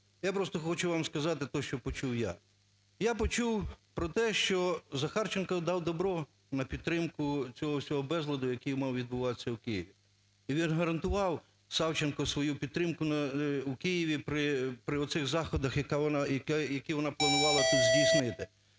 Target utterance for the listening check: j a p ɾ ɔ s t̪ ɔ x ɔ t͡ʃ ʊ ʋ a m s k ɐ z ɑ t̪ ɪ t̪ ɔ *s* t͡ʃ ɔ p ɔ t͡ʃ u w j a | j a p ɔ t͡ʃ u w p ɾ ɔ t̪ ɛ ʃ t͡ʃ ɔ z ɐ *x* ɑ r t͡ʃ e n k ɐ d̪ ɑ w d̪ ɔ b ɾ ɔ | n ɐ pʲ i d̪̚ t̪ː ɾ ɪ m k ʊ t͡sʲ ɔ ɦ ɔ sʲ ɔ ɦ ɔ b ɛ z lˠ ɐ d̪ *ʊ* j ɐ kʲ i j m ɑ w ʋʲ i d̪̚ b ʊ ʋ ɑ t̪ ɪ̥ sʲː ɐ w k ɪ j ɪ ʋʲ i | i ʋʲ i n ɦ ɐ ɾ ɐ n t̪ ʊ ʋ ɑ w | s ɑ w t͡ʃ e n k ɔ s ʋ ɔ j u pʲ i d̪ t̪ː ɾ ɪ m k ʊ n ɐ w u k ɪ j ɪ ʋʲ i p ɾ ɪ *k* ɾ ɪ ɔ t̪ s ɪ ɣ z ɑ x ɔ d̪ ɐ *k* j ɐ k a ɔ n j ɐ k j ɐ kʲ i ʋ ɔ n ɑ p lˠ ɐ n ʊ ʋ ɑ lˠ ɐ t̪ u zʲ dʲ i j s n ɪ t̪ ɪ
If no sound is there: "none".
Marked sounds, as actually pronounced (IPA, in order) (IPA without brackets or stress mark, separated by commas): ʃ, x, ʊ, p, x